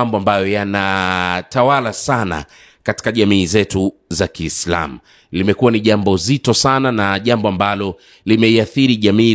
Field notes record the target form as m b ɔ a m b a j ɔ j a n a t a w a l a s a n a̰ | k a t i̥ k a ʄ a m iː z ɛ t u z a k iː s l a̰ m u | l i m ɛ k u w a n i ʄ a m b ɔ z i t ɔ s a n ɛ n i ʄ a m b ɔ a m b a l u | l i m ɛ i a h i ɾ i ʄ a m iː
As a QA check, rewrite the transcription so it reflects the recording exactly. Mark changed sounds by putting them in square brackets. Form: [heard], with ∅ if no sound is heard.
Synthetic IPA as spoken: m b ɔ a m b a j ɔ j a n a t a w a l a s a n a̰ | k a t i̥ k a ʄ a m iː z ɛ t u z a k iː s l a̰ m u | l i m ɛ k u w a n i ʄ a m b ɔ z i t ɔ s a n [a] n [a] ʄ a m b ɔ a m b a l [ɔ] | l i m ɛ i a [θ] i ɾ i ʄ a m iː